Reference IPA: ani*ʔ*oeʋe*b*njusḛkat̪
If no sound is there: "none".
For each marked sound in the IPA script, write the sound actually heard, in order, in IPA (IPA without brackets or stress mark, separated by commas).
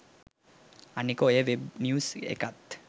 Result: k, b